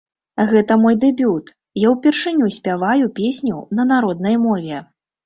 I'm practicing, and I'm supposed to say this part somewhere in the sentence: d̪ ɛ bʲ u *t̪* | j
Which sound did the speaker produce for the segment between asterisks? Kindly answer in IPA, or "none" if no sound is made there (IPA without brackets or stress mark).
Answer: t̪